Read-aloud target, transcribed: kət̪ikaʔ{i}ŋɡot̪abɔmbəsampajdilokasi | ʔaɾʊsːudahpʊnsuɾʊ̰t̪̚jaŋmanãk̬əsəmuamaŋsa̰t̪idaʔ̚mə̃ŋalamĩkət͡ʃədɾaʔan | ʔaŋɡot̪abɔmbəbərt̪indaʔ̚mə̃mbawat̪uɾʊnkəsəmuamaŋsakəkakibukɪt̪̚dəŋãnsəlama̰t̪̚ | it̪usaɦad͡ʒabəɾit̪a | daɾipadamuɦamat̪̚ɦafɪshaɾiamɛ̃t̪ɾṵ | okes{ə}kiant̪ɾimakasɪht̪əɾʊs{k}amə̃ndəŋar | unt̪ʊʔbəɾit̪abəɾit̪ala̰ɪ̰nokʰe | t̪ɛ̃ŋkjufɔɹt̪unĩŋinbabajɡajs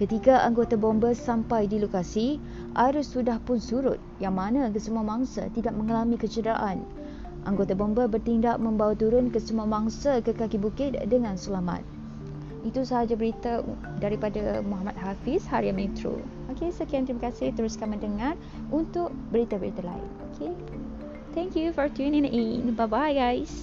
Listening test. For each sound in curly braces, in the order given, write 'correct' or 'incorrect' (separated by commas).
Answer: incorrect, correct, correct